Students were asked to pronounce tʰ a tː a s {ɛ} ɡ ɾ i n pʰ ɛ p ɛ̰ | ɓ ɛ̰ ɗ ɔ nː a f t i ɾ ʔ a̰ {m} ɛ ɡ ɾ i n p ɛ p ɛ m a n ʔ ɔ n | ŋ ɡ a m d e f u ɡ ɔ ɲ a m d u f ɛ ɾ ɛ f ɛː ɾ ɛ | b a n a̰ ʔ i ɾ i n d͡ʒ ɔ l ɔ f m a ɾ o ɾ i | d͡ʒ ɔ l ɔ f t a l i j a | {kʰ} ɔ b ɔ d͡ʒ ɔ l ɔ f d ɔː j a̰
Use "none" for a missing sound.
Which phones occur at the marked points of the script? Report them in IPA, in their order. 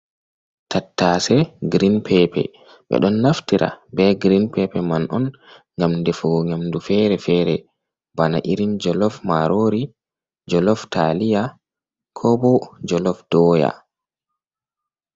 ɛ, b, kʰ

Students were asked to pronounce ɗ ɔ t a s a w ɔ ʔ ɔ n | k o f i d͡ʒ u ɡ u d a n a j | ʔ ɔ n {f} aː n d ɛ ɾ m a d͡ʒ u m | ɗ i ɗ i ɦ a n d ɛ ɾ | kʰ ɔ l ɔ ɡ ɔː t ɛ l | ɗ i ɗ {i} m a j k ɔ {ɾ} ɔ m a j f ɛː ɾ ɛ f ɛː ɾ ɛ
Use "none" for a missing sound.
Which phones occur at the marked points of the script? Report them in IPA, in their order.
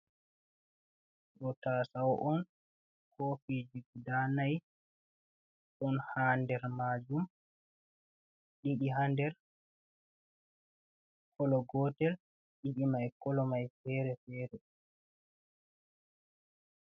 h, i, l

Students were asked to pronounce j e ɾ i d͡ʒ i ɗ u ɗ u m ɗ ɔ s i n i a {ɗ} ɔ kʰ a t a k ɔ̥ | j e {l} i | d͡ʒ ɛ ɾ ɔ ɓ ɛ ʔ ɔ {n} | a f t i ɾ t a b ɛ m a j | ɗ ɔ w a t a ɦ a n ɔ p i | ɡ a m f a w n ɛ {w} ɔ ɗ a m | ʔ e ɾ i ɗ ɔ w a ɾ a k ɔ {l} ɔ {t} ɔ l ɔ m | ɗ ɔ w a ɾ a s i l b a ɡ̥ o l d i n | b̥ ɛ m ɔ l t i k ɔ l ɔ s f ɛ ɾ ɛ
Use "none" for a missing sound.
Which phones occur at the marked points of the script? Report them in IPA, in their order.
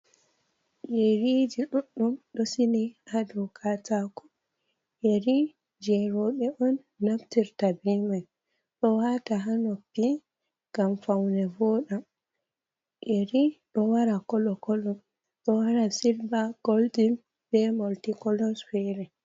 d, ɾ, nː, v, l, k

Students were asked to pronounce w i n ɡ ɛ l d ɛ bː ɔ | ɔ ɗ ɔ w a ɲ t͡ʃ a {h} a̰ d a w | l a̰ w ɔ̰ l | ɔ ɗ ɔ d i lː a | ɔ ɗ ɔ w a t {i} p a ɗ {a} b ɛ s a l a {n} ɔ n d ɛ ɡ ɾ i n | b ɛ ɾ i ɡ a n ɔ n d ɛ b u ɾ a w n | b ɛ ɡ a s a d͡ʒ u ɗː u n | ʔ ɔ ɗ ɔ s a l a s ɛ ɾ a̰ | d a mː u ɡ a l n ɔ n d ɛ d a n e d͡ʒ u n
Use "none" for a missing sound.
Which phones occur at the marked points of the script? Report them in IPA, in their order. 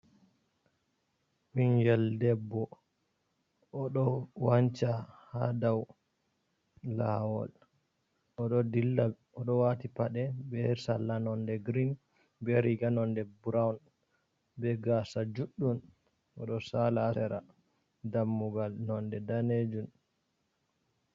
h, i, ɛ, n

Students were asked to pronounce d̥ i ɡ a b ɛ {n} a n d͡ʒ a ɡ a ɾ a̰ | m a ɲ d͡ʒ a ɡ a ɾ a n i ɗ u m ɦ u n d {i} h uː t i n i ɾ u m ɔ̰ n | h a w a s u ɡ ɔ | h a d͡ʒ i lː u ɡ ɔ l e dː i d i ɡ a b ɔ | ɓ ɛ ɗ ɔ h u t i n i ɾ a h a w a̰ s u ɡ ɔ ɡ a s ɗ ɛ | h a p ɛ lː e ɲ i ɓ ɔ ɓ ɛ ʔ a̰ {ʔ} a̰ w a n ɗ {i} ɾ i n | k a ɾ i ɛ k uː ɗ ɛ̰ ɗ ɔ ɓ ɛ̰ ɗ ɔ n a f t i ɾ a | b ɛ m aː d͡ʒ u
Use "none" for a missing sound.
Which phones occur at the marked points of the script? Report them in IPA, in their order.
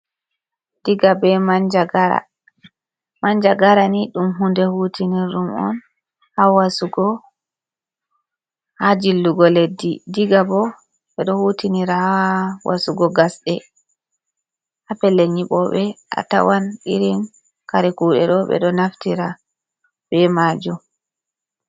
m, ɛ, t, i

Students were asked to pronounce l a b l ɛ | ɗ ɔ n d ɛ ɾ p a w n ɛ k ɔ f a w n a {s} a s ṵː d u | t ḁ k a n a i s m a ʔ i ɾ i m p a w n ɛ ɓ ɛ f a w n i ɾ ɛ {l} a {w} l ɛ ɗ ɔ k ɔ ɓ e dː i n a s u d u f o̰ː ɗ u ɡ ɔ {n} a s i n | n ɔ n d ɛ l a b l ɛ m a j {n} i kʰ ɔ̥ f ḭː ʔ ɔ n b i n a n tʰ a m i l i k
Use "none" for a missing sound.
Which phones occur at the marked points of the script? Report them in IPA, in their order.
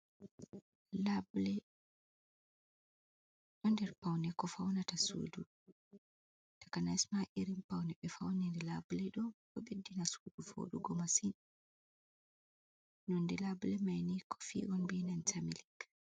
t, l, b, m, n

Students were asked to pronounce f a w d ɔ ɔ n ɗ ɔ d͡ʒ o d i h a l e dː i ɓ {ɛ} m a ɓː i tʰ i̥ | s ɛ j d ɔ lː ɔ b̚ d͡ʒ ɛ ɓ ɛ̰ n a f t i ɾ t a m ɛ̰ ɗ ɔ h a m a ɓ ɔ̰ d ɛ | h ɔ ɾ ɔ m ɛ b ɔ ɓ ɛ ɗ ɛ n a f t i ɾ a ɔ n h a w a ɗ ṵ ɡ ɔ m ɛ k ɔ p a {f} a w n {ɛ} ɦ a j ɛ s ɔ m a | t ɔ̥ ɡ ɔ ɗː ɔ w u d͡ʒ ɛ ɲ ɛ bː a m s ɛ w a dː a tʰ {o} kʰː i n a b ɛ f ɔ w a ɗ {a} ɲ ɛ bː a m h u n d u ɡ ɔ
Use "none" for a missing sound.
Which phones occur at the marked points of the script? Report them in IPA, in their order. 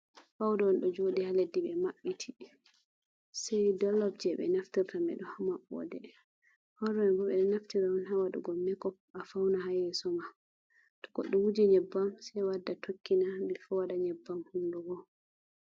ɛ, f, a, o, a

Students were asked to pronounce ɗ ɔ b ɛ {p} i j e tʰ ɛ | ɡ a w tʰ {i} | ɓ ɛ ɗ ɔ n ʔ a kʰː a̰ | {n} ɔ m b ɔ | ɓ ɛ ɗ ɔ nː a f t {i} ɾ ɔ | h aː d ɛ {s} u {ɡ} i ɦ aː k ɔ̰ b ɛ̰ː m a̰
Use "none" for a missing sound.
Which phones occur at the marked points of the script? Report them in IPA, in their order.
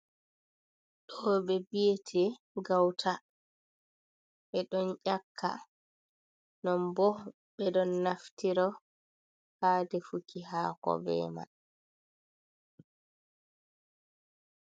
b, a, n, i, f, k

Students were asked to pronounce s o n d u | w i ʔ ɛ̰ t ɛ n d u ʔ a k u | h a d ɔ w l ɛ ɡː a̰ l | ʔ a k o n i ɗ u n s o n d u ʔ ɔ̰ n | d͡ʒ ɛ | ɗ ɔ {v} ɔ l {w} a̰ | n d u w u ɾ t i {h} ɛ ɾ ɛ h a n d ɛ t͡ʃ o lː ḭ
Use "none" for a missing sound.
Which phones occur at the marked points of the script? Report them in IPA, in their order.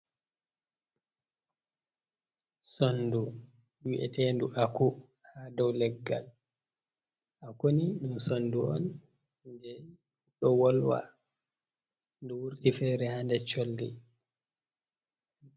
w, w, f

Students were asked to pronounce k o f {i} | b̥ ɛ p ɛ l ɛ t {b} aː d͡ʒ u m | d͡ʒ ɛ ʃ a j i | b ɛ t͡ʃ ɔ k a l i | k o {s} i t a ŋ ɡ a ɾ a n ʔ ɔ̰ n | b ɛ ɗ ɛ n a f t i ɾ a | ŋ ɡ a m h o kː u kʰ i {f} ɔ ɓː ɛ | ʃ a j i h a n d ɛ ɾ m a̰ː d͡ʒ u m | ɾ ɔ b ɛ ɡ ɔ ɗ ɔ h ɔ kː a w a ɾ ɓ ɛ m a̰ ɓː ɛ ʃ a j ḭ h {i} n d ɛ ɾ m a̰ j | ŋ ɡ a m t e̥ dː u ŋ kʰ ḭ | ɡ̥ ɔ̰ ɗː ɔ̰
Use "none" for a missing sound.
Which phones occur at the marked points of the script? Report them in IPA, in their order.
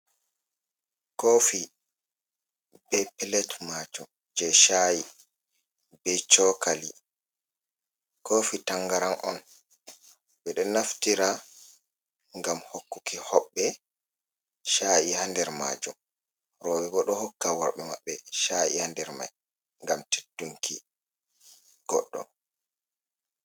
i, m, f, h, a

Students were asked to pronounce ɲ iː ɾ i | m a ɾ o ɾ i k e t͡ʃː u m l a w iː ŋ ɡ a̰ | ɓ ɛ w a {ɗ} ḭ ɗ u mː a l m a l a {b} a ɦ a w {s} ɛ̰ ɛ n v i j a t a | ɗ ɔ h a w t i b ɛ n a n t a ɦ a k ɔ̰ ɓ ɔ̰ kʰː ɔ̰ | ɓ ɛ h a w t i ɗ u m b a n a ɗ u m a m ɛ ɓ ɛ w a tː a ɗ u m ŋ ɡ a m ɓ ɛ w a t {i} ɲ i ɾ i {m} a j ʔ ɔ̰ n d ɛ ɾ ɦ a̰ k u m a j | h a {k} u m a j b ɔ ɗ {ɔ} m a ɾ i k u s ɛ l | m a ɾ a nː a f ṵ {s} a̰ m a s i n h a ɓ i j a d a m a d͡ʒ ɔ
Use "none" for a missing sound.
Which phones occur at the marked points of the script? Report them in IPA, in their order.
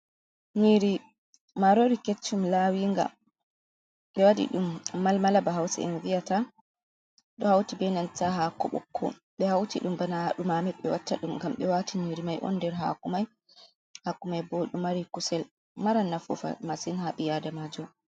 d, b, s, i, m, k, u, f

